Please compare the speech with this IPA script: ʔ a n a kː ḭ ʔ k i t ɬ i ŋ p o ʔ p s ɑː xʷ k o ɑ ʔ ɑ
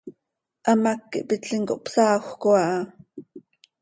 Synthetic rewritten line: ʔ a m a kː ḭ ʔ p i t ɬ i ŋ k o ʔ p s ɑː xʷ k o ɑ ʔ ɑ